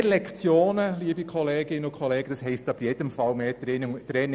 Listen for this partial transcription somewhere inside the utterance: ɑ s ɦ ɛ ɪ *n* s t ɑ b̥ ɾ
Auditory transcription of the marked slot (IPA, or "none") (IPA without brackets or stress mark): none